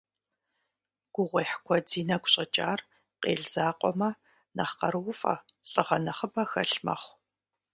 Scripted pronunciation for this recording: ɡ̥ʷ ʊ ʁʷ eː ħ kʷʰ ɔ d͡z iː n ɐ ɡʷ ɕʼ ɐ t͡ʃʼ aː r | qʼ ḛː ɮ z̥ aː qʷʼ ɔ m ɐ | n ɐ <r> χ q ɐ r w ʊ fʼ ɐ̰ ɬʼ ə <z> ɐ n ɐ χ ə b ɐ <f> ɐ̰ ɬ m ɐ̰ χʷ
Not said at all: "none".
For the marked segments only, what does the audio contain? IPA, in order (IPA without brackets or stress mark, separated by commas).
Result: none, ʁ, x